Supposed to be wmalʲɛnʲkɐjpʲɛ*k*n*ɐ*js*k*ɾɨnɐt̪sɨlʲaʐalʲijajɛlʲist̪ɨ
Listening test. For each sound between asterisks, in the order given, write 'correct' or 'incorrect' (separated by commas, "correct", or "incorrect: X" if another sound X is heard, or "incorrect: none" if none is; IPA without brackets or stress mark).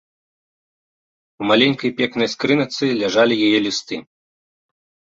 correct, correct, correct